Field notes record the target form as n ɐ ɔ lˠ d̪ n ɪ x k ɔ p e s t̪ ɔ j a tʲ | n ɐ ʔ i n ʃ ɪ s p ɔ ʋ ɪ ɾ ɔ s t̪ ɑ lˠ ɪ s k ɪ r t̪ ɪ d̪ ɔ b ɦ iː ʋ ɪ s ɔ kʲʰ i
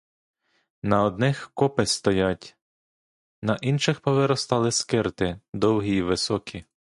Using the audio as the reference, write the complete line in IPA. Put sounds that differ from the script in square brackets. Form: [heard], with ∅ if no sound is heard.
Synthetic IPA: n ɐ ɔ [∅] d̪ n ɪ x k ɔ p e s t̪ ɔ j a tʲ | n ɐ ʔ i n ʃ ɪ [x] p ɔ ʋ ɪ ɾ ɔ s t̪ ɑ lˠ ɪ s k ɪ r t̪ ɪ d̪ ɔ [w] ɦ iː ʋ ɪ s ɔ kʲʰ i